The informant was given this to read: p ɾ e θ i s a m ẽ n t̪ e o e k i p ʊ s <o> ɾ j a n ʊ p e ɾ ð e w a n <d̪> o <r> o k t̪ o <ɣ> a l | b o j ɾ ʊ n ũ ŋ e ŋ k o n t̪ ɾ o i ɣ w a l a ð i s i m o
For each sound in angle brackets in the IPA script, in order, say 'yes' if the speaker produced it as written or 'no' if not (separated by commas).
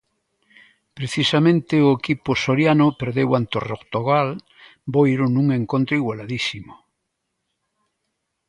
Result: yes, no, yes, yes